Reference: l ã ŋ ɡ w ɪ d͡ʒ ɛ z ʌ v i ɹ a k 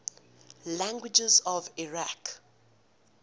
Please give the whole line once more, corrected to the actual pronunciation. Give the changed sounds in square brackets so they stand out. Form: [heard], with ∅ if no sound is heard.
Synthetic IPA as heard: l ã ŋ ɡ w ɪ d͡ʒ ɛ z [ɔ] v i ɹ a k